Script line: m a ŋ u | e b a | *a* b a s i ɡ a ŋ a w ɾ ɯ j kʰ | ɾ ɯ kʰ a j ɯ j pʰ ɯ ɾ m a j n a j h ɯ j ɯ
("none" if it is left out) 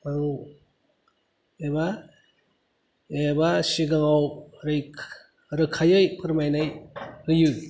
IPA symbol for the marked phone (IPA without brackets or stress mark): e